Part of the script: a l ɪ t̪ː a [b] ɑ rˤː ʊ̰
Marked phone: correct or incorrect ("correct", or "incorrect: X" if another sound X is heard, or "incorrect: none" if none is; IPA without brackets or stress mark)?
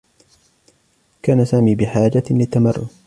incorrect: m